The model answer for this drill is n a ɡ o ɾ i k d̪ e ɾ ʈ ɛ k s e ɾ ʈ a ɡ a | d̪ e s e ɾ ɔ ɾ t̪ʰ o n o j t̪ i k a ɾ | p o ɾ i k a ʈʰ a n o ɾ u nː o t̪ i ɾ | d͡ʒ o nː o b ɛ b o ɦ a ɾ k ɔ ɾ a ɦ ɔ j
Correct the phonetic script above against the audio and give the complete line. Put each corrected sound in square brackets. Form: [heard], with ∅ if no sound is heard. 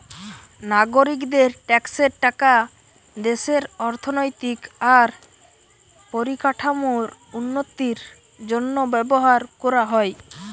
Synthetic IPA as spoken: n a ɡ o ɾ i k d̪ e ɾ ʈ ɛ k s e ɾ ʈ a [k] a | d̪ e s e ɾ ɔ ɾ t̪ʰ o n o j t̪ i k a ɾ | p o ɾ i k a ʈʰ a [m] o ɾ u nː o t̪ i ɾ | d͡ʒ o nː o b ɛ b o ɦ a ɾ k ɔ ɾ a ɦ ɔ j